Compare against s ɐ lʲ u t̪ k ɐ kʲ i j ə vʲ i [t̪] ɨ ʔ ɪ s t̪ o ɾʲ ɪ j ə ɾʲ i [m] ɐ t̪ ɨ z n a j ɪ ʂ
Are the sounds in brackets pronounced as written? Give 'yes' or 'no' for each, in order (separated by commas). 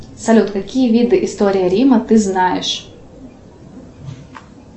no, yes